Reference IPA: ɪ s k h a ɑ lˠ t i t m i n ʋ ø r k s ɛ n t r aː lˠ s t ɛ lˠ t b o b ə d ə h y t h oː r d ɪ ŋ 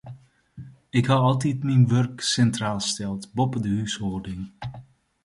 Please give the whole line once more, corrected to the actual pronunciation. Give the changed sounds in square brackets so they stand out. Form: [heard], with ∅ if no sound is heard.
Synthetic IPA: ɪ [∅] k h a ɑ lˠ t i t m i n ʋ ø r k s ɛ n t r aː lˠ s t ɛ lˠ t b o [p] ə d ə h y [s] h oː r d ɪ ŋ